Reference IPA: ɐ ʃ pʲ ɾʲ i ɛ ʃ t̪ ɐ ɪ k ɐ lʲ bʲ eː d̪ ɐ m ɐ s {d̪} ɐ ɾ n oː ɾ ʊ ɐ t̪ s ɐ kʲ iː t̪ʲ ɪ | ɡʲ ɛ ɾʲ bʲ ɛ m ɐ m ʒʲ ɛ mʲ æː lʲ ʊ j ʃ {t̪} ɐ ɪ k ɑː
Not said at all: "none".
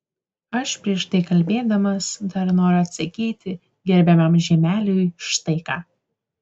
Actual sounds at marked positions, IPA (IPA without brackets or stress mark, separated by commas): d̪, t̪